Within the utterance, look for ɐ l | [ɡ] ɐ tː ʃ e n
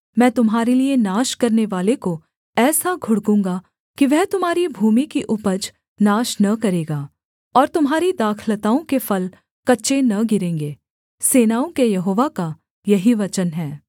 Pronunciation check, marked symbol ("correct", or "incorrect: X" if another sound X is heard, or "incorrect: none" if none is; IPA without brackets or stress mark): incorrect: k